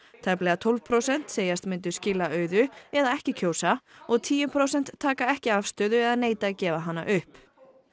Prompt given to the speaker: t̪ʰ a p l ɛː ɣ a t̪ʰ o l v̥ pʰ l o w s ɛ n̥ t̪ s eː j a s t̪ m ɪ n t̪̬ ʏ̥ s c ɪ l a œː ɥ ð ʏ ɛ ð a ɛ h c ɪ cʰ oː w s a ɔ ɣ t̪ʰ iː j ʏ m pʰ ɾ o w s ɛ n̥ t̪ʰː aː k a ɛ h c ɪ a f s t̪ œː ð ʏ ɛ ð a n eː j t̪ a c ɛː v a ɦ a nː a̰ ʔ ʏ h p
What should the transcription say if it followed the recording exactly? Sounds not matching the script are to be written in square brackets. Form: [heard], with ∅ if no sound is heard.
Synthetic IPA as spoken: t̪ʰ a p l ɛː ɣ a t̪ʰ o l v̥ pʰ [ɾ] o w s ɛ n̥ t̪ s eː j a s t̪ m ɪ n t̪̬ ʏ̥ s c ɪ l a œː ɥ ð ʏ ɛ ð a ɛ h c ɪ cʰ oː w s a ɔ ɣ t̪ʰ iː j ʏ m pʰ ɾ o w s ɛ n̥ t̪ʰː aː k a ɛ h c ɪ a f s t̪ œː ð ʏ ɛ ð a n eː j t̪ a c ɛː v a ɦ a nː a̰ ʔ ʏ h p